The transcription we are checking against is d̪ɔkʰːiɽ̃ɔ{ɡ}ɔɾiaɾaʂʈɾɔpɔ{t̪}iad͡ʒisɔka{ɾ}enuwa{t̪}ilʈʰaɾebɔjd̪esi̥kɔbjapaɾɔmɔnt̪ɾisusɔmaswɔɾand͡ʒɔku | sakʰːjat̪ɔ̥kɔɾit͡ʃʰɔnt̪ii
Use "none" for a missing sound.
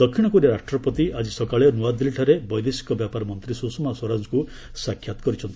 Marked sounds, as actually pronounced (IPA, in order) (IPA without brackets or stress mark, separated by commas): k, t̪, ɭ, d̪